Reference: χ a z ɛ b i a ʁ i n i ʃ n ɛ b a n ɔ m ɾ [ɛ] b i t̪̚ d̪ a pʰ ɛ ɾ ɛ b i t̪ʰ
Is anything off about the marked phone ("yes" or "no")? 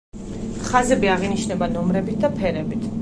no